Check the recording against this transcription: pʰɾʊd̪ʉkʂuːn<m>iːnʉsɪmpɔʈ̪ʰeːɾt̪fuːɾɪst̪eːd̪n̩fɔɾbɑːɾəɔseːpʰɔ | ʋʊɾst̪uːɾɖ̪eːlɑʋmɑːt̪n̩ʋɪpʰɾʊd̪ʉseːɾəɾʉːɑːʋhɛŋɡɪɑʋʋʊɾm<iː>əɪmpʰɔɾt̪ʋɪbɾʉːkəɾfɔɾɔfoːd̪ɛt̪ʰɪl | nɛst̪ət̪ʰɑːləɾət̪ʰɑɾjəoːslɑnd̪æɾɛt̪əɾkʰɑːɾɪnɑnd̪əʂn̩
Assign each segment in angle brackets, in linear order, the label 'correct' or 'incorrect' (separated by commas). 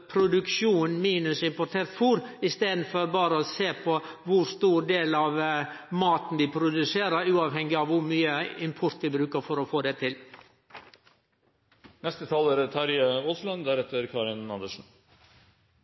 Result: correct, incorrect